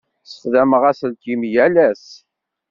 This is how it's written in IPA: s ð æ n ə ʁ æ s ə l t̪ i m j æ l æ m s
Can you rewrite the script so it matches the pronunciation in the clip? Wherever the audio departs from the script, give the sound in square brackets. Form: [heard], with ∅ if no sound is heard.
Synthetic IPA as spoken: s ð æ [m] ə ʁ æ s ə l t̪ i m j æ l æ [∅] s